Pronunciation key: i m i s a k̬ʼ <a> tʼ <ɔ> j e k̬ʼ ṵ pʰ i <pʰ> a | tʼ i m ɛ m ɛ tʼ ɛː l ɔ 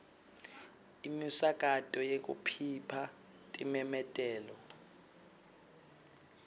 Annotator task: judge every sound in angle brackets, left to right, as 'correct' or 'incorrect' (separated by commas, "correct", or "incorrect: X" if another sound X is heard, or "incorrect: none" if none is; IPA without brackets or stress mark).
correct, correct, correct